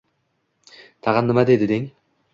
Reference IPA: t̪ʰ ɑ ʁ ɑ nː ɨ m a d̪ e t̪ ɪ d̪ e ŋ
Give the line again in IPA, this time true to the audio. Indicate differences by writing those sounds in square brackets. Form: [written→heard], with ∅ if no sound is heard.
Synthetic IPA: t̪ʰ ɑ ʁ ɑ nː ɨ m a d̪ e [t̪→d̪] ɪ d̪ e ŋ

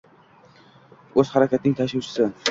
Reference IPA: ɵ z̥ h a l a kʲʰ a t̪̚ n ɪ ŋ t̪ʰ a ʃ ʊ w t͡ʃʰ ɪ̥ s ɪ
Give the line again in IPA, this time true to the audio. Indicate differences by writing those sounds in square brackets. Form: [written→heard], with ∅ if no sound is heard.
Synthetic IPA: ɵ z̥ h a [l→ɾ] a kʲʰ a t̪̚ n ɪ ŋ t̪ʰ a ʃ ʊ w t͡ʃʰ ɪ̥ s ɪ

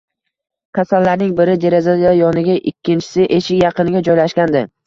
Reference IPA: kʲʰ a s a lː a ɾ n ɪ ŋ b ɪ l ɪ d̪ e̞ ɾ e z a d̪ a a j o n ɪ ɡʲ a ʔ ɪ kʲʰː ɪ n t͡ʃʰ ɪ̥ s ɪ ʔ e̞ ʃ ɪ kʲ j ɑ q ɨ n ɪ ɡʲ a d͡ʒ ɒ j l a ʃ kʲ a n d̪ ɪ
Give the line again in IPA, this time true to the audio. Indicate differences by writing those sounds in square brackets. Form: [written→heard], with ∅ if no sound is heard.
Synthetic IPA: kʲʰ a s a lː a ɾ n ɪ ŋ b ɪ [l→ɾ] ɪ d̪ e̞ ɾ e z a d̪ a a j [o→ɒ] n ɪ ɡʲ a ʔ ɪ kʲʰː ɪ n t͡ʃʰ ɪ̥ s ɪ ʔ e̞ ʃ ɪ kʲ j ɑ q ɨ n ɪ ɡʲ a d͡ʒ ɒ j l a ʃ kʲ a n d̪ ɪ

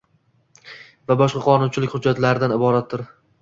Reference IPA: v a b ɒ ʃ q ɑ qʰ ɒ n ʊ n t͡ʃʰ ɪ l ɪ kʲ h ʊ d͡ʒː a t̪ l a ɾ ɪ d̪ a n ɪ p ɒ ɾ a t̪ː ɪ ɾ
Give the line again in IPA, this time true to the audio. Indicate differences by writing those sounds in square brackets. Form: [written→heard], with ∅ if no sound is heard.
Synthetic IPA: v a b ɒ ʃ q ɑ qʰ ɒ n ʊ n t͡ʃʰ ɪ l ɪ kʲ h ʊ d͡ʒː a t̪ l a ɾ ɪ d̪ a n ɪ [p→b] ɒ ɾ a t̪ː ɪ ɾ

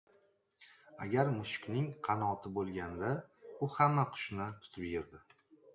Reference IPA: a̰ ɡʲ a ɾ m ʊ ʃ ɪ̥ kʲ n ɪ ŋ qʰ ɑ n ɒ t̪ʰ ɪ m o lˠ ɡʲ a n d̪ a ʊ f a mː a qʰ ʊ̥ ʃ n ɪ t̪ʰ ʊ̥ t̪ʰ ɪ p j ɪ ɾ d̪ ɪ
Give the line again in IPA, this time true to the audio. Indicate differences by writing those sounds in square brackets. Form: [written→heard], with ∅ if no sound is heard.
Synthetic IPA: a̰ ɡʲ a ɾ m ʊ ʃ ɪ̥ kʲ n ɪ ŋ qʰ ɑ n ɒ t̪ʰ ɪ [m→b] o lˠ ɡʲ a n d̪ a ʊ [f→h] a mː a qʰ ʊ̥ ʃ n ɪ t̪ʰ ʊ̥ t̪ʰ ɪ p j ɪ ɾ d̪ ɪ

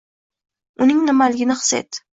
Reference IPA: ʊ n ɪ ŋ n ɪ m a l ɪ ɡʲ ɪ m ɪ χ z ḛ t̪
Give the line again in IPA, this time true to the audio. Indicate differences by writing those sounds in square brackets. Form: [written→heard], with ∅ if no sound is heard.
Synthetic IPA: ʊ n ɪ ŋ n ɪ m a l ɪ ɡʲ ɪ [m→n] ɪ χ [z→s] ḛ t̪

